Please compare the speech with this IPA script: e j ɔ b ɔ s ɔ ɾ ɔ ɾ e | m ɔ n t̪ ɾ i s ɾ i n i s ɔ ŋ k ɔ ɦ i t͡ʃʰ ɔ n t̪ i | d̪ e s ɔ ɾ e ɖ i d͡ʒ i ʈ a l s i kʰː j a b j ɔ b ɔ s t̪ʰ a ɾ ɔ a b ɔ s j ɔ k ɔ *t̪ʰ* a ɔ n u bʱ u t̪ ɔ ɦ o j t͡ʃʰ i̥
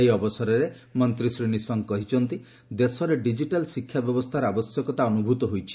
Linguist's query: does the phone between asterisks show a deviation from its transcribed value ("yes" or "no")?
yes